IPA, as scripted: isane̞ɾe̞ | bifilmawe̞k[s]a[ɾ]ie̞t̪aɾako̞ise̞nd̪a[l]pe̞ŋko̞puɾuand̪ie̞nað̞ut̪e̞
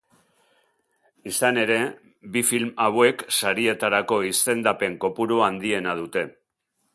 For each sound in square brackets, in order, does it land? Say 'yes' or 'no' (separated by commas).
yes, yes, no